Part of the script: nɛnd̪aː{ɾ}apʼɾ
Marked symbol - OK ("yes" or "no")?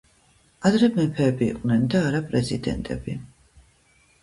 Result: yes